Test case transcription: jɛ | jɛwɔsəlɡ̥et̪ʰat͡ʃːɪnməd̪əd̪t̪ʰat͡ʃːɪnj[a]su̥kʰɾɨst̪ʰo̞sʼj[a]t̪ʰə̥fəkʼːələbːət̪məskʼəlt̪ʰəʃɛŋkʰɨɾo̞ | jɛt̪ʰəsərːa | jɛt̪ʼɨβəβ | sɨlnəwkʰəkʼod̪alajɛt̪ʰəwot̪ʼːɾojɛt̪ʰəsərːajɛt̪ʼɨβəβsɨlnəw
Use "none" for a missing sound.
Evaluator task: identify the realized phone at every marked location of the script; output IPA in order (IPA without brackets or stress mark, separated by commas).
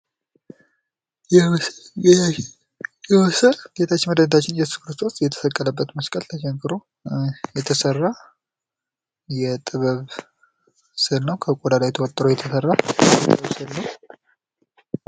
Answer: ɛ, ɛ